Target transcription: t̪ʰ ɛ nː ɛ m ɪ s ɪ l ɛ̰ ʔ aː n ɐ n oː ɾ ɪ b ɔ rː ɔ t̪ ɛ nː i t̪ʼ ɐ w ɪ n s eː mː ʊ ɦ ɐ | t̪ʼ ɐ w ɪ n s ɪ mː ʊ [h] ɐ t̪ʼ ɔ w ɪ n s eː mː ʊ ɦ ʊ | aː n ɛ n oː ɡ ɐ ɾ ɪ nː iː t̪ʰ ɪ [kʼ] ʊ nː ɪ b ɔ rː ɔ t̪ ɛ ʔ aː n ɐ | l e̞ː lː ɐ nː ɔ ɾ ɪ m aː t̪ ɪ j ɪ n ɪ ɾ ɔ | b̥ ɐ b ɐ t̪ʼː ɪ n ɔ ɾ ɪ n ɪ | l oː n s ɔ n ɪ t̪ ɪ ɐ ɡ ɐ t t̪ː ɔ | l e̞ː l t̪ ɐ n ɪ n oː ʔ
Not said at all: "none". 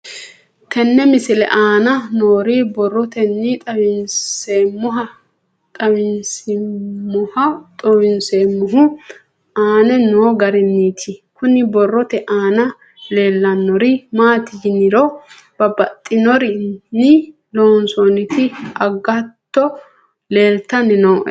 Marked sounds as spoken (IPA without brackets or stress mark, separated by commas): h, k